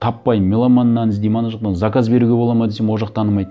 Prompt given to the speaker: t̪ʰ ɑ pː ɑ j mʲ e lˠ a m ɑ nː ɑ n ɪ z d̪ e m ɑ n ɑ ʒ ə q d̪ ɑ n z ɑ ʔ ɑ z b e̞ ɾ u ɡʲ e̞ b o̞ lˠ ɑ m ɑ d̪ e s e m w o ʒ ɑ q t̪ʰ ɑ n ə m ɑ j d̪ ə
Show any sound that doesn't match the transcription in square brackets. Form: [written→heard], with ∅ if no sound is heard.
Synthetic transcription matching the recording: t̪ʰ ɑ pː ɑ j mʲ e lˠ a m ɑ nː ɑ n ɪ z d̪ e m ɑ n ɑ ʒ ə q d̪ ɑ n z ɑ [ʔ→k] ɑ z b e̞ ɾ u ɡʲ e̞ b o̞ lˠ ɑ m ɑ d̪ e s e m w o ʒ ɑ q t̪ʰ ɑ n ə m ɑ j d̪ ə